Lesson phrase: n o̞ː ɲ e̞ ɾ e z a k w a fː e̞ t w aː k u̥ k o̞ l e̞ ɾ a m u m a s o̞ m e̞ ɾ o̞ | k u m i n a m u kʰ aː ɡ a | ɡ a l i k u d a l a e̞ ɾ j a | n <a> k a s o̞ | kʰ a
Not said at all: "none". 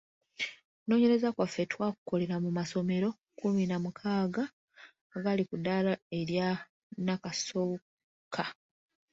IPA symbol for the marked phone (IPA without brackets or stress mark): a